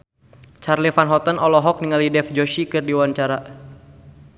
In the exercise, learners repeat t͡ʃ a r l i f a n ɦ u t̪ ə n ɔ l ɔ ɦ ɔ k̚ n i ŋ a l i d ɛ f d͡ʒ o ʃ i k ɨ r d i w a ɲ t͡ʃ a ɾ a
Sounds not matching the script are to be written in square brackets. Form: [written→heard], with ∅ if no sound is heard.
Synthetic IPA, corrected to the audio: t͡ʃ a r l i f a n ɦ [u→ɔ] t̪ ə n ɔ l ɔ ɦ ɔ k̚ n i ŋ a l i d ɛ f d͡ʒ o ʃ i k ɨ r d i w a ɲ t͡ʃ a ɾ a